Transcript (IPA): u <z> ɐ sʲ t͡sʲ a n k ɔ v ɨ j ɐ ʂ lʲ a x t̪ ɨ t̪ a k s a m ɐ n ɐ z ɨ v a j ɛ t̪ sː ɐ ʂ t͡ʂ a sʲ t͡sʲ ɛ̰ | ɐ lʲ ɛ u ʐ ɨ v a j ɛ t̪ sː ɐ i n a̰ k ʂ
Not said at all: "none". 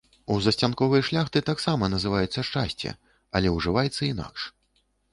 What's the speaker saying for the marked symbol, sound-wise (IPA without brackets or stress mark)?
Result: z